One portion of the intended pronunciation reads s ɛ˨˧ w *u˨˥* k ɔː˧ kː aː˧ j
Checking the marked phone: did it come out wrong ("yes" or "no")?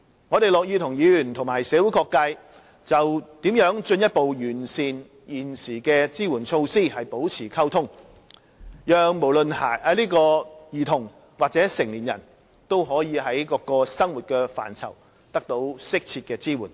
no